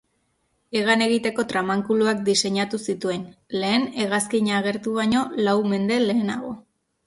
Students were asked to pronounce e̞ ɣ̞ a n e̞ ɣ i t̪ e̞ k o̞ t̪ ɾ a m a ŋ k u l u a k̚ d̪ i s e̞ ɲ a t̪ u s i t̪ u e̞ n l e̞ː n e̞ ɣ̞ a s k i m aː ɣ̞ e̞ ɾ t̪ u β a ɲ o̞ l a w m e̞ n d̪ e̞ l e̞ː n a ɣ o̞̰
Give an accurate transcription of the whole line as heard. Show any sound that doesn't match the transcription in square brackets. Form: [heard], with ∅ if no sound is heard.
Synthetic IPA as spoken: e̞ ɣ̞ a n e̞ ɣ i t̪ e̞ k o̞ t̪ ɾ a m a ŋ k u l u a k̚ d̪ i s e̞ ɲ a t̪ u s i t̪ u e̞ n l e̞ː n e̞ ɣ̞ a s k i [ɲ] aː ɣ̞ e̞ ɾ t̪ u β a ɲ o̞ l a w m e̞ n d̪ e̞ l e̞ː n a ɣ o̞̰